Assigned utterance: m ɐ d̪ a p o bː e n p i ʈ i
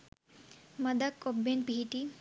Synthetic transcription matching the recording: m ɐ d̪ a k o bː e n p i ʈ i